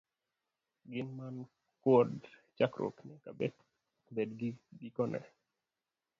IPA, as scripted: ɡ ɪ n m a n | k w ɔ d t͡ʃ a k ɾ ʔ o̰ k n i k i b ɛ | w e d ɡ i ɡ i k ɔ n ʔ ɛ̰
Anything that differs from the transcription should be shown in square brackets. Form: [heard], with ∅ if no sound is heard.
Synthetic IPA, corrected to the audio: ɡ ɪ n m a n | k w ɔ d t͡ʃ a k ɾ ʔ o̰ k n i k [a] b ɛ | [b] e d ɡ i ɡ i k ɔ n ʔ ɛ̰